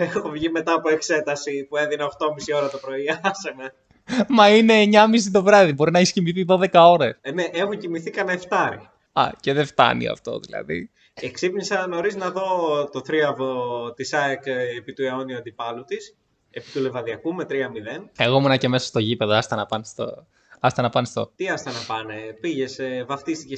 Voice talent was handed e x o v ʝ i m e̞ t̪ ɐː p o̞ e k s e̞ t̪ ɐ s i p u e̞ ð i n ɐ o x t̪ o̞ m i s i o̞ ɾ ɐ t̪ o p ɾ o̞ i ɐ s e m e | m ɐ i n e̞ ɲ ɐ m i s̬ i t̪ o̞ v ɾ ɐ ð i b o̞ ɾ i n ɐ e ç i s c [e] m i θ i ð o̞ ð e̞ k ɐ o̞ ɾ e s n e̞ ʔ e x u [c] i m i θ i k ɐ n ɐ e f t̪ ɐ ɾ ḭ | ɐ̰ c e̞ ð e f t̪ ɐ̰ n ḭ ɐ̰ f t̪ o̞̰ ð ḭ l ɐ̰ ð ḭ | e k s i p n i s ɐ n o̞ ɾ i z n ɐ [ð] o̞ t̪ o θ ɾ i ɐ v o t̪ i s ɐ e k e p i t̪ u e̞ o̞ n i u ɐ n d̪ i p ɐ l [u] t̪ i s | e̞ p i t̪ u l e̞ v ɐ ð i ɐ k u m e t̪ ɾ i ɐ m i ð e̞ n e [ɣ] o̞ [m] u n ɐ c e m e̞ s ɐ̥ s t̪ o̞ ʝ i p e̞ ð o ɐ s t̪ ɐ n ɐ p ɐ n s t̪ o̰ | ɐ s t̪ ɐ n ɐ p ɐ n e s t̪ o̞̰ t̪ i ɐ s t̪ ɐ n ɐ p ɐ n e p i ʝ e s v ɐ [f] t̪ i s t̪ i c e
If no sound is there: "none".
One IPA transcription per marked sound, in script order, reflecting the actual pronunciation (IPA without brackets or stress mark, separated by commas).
i, c, ð, u, ɣ, m, f